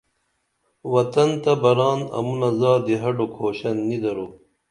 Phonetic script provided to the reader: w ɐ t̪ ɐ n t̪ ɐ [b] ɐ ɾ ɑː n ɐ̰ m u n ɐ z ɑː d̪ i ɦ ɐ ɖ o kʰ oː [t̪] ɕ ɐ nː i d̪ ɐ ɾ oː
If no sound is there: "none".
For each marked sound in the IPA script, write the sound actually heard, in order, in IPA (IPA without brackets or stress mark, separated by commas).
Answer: b, none